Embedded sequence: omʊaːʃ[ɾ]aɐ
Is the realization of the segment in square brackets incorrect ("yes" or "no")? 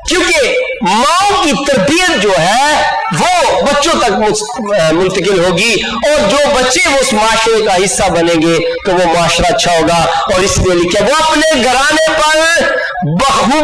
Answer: no